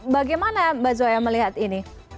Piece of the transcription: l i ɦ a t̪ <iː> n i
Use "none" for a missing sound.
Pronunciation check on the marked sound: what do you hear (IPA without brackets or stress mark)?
i